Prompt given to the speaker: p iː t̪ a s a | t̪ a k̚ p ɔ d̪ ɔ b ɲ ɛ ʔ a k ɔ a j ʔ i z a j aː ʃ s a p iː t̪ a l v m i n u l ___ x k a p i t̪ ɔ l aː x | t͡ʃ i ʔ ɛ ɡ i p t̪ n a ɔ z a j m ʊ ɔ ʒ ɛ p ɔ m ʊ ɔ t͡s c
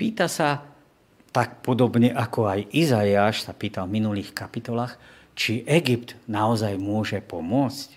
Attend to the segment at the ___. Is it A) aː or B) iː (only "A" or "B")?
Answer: B